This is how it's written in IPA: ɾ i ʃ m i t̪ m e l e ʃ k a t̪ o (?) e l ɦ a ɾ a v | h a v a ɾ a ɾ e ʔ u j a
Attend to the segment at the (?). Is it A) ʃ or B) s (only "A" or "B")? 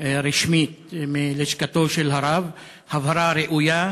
A